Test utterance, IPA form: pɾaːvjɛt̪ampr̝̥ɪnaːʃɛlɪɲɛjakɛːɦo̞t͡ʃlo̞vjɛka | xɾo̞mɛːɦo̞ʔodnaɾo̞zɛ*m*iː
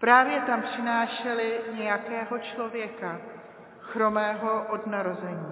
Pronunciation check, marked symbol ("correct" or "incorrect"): incorrect